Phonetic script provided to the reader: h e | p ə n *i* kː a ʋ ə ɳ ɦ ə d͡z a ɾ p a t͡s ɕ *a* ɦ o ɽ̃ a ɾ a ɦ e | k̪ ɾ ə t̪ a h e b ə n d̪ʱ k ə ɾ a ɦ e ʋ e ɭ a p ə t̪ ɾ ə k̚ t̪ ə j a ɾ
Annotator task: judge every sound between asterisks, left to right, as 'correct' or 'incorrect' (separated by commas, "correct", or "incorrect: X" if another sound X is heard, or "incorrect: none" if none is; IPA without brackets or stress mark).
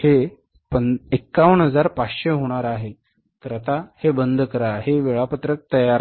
incorrect: e, incorrect: e